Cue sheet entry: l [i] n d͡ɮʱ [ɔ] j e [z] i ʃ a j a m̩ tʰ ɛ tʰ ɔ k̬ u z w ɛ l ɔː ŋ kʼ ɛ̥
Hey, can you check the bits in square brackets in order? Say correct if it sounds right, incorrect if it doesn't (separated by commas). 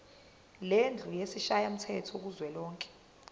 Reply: incorrect, incorrect, incorrect